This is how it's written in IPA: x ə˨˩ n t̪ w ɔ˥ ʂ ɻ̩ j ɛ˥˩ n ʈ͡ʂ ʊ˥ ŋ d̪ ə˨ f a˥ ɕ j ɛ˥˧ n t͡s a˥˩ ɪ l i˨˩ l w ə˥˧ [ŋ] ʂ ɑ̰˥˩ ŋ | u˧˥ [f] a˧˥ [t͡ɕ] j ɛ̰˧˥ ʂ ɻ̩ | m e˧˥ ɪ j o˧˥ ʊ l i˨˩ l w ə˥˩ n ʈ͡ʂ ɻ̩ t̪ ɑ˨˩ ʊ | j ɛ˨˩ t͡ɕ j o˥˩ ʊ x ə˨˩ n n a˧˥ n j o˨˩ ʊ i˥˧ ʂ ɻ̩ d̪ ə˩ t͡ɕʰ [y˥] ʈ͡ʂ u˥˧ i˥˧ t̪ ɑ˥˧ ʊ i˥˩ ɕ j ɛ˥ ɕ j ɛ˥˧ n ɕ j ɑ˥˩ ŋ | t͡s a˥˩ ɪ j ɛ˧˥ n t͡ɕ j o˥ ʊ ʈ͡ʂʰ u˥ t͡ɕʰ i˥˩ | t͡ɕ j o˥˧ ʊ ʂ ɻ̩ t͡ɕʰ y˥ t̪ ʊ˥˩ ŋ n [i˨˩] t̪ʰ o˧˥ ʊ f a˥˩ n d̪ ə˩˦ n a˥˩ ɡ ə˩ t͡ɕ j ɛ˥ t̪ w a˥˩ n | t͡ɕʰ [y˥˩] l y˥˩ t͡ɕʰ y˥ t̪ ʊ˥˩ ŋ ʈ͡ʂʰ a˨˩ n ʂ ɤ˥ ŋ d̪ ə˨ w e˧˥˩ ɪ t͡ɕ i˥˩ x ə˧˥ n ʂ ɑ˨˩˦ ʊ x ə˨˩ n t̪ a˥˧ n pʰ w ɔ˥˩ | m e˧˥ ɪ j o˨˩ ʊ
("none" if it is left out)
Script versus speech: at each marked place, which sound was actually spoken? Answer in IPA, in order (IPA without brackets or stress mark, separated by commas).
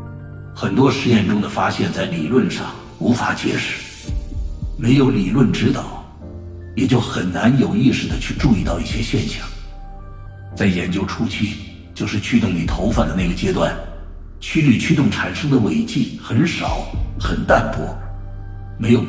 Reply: n, f, t͡ɕ, y˥˧, i˨˩, y˥